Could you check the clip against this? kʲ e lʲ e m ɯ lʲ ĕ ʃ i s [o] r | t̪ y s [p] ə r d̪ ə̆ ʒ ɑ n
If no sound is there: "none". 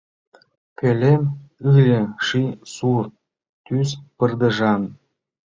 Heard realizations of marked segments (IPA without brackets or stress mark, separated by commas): u, p